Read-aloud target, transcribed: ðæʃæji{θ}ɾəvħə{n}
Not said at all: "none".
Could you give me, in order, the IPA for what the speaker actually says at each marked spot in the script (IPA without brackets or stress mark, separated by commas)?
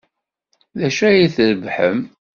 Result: θ, m